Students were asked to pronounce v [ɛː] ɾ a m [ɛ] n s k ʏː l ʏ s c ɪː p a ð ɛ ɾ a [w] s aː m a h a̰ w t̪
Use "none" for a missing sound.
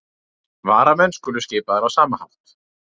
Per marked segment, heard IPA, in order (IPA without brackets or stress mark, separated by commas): aː, ɛ, w